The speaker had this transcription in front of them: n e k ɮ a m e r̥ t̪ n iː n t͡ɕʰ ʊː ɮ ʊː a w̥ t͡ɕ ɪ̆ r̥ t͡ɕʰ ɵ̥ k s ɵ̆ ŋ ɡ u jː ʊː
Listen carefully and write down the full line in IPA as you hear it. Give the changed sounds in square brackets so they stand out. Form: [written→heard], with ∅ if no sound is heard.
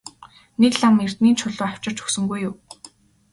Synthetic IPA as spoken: n e k ɮ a m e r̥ t̪ n iː n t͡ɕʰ [ʊː→ʊ] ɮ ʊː a w̥ t͡ɕ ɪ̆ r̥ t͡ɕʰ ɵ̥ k s ɵ̆ ŋ ɡ u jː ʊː